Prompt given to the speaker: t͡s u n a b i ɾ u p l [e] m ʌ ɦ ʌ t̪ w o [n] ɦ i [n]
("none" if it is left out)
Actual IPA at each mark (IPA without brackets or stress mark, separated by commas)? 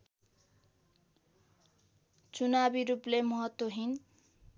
e, none, n